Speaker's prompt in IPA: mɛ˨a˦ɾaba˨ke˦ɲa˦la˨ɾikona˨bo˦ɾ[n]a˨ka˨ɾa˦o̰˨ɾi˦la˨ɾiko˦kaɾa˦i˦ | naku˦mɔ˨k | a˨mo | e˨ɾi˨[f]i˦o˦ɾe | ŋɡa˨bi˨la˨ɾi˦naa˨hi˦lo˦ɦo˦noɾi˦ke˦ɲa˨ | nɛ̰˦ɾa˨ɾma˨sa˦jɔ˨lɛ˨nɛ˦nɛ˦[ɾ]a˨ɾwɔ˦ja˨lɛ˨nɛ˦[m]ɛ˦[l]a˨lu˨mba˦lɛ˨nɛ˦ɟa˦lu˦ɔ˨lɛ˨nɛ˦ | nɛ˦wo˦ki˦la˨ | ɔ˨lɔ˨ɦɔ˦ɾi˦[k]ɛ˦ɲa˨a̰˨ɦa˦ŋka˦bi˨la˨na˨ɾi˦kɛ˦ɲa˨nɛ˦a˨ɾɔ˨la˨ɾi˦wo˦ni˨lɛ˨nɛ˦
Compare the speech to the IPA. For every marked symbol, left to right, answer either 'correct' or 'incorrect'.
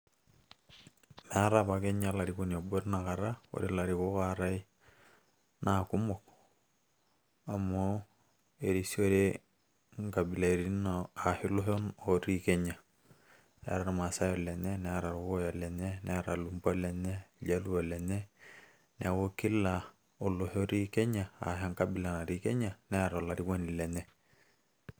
correct, incorrect, correct, incorrect, incorrect, correct

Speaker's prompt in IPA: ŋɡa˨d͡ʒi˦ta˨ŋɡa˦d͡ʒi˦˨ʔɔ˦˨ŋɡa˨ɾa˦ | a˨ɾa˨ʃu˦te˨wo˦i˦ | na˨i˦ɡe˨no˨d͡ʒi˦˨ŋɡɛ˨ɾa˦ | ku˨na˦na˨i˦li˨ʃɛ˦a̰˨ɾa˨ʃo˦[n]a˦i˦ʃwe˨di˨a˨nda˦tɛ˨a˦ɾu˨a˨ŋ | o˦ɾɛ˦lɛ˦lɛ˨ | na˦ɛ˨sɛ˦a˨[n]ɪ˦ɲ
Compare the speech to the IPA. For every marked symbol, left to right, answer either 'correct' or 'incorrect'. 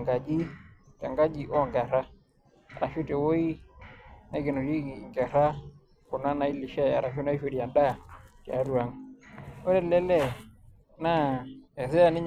correct, correct

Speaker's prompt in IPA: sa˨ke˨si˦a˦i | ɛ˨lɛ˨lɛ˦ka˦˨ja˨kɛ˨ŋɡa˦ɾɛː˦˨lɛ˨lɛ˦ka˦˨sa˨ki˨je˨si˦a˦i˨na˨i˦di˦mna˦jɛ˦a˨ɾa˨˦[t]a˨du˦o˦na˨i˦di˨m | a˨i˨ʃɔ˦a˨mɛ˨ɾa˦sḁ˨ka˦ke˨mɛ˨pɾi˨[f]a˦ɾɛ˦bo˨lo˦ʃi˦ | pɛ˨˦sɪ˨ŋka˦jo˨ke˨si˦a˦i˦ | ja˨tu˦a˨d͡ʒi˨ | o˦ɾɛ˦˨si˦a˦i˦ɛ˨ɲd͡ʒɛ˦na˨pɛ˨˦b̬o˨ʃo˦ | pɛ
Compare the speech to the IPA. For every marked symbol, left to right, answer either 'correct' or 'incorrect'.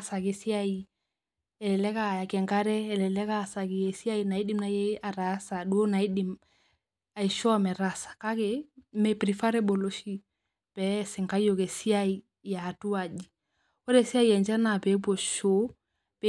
incorrect, correct

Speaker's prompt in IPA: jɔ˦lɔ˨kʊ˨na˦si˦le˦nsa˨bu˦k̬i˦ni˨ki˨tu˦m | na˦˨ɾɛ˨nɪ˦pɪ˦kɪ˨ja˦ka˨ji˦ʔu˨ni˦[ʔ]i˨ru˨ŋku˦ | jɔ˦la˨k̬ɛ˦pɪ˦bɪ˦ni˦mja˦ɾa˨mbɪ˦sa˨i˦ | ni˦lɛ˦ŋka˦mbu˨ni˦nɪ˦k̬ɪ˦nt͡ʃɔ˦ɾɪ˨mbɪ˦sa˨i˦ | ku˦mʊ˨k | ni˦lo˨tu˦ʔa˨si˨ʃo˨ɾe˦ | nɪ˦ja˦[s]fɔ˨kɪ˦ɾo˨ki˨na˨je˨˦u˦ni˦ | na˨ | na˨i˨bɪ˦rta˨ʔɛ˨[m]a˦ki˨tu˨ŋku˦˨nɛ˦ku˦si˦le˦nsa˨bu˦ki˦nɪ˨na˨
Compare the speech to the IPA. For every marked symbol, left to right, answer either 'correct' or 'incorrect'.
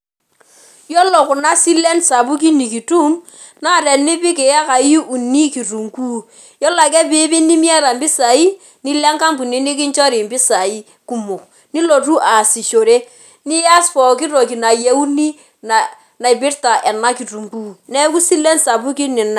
incorrect, correct, incorrect

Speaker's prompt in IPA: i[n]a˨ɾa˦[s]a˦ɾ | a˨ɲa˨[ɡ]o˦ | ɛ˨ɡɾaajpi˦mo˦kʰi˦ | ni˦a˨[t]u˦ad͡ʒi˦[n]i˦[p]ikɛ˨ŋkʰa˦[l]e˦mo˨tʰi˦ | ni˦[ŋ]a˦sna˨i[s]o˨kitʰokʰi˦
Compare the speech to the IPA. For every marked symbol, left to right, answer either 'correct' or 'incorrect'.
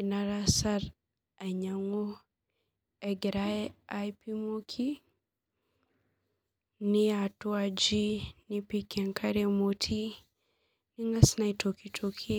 correct, correct, incorrect, correct, correct, correct, incorrect, correct, incorrect

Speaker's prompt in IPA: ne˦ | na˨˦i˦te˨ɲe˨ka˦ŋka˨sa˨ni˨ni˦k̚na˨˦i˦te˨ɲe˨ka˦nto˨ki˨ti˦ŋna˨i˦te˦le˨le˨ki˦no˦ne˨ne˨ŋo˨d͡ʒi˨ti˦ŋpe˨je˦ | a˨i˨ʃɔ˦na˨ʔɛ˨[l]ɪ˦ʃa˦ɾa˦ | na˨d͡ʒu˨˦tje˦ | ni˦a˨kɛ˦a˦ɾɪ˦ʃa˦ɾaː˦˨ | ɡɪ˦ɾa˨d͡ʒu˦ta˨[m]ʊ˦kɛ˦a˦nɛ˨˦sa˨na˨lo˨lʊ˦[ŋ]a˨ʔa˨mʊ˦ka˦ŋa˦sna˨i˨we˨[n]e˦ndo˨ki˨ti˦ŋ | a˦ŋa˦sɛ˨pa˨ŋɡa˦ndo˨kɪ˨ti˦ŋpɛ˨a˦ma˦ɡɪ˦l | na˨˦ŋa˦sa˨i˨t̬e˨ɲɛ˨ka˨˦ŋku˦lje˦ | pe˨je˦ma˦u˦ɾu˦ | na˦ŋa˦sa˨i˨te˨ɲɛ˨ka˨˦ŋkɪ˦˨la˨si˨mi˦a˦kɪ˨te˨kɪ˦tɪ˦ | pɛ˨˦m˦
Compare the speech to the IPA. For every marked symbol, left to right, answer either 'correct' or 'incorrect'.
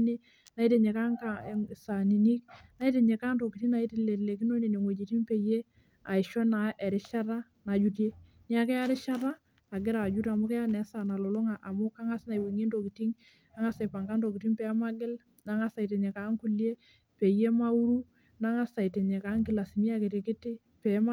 incorrect, correct, correct, incorrect

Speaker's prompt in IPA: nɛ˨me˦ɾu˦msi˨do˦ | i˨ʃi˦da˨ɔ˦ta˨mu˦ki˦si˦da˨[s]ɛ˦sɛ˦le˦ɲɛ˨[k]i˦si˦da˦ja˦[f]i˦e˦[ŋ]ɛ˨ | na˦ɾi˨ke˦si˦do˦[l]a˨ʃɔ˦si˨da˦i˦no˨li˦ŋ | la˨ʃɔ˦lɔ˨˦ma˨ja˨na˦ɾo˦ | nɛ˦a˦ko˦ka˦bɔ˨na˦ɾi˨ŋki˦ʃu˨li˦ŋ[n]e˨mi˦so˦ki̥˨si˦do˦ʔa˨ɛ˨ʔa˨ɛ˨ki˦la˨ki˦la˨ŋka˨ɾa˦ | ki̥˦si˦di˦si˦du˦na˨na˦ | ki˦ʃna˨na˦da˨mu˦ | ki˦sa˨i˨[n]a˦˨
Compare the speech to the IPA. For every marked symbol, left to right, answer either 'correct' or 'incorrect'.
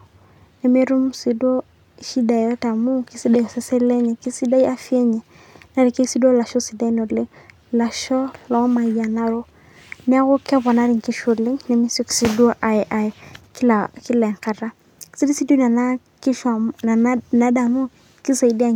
correct, correct, correct, incorrect, correct, correct, incorrect

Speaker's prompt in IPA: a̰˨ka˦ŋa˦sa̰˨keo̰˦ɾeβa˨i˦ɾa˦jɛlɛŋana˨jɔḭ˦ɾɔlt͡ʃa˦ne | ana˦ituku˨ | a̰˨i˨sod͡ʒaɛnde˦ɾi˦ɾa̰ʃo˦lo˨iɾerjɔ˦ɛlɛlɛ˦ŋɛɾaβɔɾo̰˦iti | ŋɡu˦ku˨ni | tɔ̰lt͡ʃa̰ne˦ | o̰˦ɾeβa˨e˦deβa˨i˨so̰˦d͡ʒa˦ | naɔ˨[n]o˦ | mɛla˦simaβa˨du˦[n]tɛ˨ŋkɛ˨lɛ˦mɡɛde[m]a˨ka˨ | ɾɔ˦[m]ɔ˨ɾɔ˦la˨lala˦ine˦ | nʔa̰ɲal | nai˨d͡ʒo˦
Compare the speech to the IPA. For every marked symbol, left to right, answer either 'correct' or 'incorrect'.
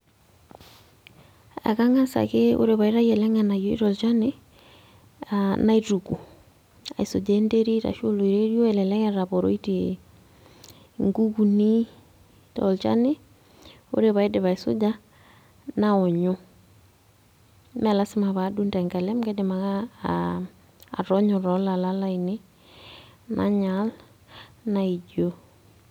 incorrect, correct, correct, incorrect

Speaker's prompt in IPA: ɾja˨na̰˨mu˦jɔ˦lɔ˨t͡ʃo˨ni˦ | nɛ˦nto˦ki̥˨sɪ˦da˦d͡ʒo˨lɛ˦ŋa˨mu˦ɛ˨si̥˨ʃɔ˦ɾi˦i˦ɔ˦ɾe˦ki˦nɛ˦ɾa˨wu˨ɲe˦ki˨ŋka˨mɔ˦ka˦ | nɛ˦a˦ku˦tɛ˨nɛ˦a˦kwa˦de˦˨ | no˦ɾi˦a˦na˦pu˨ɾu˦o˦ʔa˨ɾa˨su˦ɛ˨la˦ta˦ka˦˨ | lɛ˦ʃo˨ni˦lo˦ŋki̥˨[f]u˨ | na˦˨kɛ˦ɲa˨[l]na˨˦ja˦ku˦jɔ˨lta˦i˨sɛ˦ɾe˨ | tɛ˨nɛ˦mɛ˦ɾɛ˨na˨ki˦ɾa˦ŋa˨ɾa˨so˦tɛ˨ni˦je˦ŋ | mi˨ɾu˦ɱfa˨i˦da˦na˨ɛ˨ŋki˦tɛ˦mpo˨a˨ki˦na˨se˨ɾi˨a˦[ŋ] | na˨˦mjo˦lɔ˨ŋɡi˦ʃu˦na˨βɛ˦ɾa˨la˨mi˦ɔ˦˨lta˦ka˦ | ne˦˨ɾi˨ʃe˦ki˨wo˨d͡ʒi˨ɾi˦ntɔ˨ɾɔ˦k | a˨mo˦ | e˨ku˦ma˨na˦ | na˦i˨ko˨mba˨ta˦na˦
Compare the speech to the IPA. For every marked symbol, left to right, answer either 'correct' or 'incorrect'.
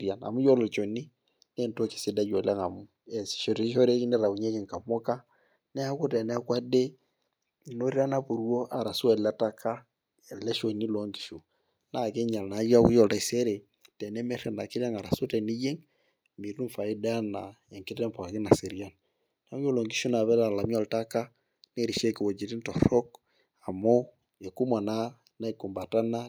incorrect, correct, incorrect

